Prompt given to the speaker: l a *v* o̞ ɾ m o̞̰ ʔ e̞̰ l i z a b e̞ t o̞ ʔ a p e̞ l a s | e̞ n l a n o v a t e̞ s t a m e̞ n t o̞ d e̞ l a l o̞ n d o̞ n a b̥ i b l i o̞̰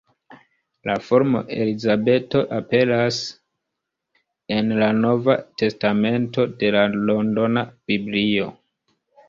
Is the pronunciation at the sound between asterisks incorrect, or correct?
incorrect